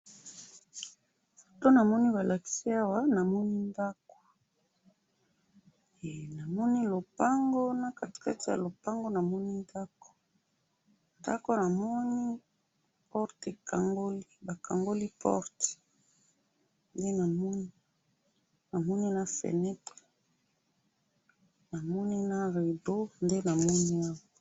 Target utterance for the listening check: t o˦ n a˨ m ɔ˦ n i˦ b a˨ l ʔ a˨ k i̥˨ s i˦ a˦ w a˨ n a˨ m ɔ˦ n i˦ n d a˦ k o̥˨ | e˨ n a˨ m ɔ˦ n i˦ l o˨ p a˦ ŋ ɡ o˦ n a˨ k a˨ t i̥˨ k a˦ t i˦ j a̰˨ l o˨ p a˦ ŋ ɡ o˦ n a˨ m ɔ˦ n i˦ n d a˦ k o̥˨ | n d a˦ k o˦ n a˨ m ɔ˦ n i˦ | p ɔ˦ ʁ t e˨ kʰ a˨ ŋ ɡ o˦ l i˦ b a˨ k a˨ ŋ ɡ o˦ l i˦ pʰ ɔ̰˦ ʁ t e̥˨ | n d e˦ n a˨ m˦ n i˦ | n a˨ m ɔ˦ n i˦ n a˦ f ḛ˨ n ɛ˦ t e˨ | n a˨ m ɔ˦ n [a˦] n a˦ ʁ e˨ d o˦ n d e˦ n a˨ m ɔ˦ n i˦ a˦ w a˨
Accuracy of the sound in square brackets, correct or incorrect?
incorrect